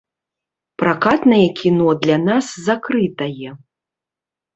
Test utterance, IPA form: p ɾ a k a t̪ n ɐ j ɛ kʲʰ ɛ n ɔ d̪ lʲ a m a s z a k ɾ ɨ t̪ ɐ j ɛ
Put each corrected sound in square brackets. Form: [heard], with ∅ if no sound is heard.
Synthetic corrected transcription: p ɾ a k a t̪ n ɐ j ɛ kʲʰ [i] n ɔ d̪ lʲ a [n] a s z a k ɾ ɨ t̪ ɐ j ɛ

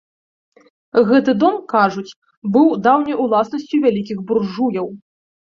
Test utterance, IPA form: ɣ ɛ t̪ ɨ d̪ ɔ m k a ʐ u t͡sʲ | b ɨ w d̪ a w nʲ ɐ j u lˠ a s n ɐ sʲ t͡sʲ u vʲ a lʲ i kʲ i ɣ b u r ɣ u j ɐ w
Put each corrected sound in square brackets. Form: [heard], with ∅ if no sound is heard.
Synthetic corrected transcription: ɣ ɛ t̪ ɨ d̪ ɔ m k a ʐ u t͡sʲ | b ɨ w d̪ a w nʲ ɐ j u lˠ a s n ɐ sʲ t͡sʲ u vʲ a lʲ i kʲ i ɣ b u r [ʐ] u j ɐ w

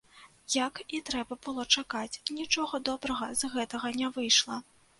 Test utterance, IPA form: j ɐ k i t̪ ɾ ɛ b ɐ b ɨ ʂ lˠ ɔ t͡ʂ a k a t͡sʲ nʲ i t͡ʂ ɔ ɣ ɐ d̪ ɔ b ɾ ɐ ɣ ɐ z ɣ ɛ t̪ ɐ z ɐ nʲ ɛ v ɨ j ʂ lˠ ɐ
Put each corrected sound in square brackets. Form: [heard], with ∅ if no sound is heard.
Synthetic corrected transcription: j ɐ k i t̪ ɾ ɛ b ɐ b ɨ [∅] lˠ ɔ t͡ʂ a k a t͡sʲ nʲ i t͡ʂ ɔ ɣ ɐ d̪ ɔ b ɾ ɐ ɣ ɐ z ɣ ɛ t̪ ɐ [ɣ] ɐ nʲ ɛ v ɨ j ʂ lˠ ɐ

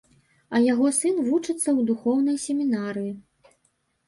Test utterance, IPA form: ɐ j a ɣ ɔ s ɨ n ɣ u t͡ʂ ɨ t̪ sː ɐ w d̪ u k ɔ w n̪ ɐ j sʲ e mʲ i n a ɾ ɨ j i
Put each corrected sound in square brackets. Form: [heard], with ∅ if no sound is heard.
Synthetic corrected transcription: ɐ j a ɣ ɔ s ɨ n [v] u t͡ʂ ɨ t̪ sː ɐ w d̪ u [x] ɔ w n̪ ɐ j sʲ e mʲ i n a ɾ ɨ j i

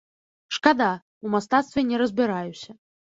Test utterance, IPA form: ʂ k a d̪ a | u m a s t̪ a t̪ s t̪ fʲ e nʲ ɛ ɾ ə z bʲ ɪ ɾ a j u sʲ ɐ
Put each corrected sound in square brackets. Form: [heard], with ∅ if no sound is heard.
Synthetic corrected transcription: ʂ k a d̪ a | u m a s t̪ a t̪ s t̪ [vʲ] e nʲ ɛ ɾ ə z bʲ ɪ ɾ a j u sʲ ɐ

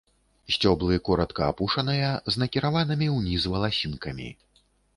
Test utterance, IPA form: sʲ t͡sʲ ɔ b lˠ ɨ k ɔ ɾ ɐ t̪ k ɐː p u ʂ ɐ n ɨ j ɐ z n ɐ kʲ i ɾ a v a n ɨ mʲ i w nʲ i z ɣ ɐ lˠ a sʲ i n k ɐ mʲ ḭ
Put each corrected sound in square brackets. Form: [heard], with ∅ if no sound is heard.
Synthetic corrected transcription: sʲ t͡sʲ ɔ b lˠ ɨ k ɔ ɾ ɐ t̪ k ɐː p u ʂ ɐ n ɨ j ɐ z n ɐ kʲ i ɾ a v a n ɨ mʲ i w nʲ i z [v] ɐ lˠ a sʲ i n k ɐ mʲ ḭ

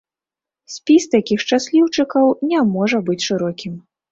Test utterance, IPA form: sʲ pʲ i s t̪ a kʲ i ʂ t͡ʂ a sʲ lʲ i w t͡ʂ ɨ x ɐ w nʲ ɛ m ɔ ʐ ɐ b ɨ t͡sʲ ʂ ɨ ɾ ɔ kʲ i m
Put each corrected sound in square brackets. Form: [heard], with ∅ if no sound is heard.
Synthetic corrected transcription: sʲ pʲ i s t̪ a kʲ i [x] t͡ʂ a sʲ lʲ i w t͡ʂ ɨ [k] ɐ w nʲ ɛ m ɔ ʐ ɐ b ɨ t͡sʲ ʂ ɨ ɾ ɔ kʲ i m

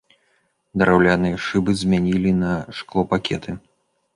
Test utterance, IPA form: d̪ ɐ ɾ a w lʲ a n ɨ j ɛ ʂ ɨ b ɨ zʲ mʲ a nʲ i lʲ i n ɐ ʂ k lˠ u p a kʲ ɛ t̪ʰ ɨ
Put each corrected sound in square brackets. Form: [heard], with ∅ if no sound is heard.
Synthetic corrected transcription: d̪ ɐ ɾ a w lʲ a n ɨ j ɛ ʂ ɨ b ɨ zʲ mʲ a nʲ i lʲ i n ɐ ʂ k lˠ [ɔ] p a kʲ ɛ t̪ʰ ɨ

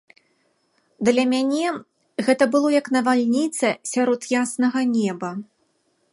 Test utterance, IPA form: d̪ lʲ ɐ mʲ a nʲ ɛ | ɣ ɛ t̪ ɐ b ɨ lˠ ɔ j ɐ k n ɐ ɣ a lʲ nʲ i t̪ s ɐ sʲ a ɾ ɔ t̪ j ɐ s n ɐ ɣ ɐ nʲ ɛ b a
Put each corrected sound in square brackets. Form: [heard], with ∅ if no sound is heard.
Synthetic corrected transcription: d̪ lʲ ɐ mʲ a nʲ ɛ | ɣ ɛ t̪ ɐ b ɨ lˠ ɔ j ɐ k n ɐ [v] a lʲ nʲ i t̪ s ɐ sʲ a ɾ ɔ t̪ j [a] s n ɐ ɣ ɐ nʲ ɛ b [ɐ]

